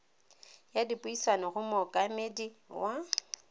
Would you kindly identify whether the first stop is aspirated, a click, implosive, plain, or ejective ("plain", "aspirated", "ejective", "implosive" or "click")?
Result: plain